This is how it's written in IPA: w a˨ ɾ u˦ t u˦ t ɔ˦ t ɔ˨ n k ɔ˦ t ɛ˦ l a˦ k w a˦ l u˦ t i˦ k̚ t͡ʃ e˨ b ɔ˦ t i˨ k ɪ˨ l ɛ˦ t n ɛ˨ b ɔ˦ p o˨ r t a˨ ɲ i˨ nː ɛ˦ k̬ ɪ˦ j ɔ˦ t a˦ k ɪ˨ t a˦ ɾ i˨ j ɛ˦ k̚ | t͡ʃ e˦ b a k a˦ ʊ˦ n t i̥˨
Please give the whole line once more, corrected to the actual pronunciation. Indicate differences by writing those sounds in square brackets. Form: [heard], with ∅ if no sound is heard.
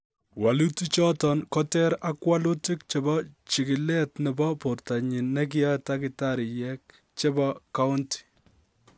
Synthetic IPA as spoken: w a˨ [l] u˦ t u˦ [t͡ʃ] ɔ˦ t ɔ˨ n k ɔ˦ t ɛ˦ [ɾ] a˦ k w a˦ l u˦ t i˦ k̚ t͡ʃ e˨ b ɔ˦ [t͡ʃ] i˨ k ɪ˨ l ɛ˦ t n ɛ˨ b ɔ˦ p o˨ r t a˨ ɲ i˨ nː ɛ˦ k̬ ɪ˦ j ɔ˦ t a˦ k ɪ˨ t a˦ ɾ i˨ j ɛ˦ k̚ | t͡ʃ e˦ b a k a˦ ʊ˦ n t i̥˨